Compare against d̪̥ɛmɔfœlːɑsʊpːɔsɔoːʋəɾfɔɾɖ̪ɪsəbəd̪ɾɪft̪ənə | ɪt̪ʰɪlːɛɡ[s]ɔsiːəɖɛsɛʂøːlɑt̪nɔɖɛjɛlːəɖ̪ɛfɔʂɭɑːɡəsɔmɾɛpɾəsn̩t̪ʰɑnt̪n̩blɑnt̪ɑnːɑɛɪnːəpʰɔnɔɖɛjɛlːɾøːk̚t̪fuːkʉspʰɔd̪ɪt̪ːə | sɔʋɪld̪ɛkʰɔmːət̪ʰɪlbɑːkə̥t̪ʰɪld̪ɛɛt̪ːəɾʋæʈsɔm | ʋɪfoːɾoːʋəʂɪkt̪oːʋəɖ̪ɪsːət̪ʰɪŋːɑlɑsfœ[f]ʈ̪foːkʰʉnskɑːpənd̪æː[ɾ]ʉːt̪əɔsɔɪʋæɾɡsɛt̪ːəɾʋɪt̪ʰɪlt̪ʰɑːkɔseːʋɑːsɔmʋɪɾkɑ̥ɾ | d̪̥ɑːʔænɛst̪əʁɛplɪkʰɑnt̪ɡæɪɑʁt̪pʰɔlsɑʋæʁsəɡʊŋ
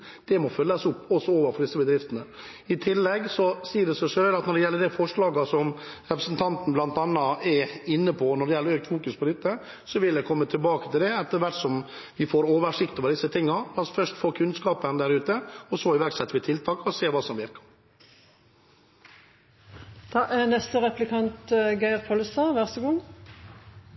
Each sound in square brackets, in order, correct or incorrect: correct, incorrect: ʂ, correct

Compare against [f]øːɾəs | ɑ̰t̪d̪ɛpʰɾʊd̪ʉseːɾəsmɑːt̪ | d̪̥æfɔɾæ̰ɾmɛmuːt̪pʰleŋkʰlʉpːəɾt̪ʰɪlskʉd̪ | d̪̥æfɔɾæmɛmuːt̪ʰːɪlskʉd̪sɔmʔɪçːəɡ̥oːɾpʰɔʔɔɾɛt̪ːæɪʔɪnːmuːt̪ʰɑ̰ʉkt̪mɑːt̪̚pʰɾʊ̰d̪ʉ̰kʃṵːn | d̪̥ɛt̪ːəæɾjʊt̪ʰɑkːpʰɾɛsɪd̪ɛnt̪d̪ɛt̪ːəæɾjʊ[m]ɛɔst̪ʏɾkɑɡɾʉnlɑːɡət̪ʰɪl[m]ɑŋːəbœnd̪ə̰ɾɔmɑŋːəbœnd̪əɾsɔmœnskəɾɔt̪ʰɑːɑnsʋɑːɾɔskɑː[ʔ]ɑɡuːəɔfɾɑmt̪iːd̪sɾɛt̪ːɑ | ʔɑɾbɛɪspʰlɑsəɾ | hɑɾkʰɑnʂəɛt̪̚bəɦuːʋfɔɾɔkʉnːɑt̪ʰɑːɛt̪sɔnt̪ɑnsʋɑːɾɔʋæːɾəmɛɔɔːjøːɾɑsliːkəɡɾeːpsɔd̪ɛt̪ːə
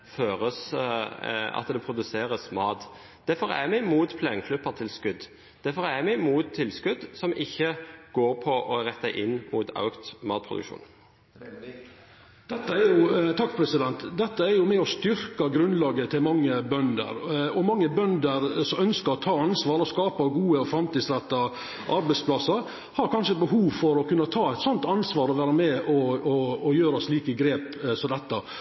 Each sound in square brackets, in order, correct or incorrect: correct, correct, correct, incorrect: p

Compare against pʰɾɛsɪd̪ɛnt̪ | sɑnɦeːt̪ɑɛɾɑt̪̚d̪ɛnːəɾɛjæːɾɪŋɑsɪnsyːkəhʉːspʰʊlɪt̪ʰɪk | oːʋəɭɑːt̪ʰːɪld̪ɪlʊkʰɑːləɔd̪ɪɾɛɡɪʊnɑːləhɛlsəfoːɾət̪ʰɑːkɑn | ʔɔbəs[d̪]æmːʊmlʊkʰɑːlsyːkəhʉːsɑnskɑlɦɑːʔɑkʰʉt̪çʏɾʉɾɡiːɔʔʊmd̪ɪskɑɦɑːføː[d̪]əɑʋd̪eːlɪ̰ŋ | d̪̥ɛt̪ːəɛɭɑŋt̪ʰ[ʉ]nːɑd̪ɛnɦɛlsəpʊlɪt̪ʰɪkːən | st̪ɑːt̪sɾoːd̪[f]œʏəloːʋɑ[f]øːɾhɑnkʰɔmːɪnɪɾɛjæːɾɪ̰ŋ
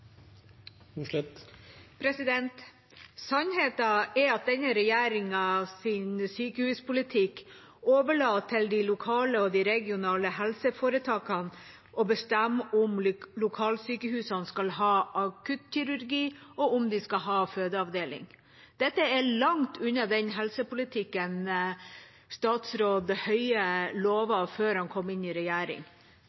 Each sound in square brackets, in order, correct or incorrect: incorrect: t̪, correct, correct, incorrect: h, correct

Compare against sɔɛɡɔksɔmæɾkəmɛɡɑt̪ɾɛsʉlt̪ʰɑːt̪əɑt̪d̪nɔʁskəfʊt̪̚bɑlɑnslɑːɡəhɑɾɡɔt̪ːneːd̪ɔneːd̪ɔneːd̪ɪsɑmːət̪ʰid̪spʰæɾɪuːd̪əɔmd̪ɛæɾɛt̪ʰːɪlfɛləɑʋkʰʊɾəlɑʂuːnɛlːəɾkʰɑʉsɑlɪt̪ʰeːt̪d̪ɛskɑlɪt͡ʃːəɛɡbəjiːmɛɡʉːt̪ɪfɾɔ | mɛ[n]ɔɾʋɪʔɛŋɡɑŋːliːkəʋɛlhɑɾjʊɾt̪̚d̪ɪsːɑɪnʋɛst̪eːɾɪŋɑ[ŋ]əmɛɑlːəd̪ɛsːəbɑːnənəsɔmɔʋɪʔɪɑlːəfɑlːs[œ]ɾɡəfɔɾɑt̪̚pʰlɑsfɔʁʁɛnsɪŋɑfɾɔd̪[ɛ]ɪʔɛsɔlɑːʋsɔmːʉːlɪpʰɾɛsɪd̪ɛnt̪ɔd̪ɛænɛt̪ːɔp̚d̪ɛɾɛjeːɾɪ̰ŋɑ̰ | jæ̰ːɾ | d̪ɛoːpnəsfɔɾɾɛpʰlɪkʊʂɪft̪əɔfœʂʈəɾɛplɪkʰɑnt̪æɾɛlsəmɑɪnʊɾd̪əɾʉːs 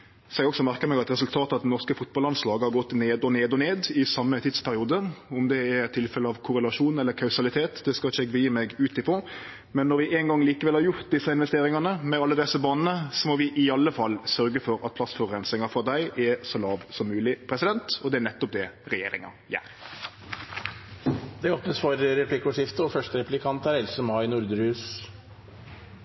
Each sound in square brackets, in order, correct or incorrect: incorrect: nː, incorrect: n, correct, incorrect: æ

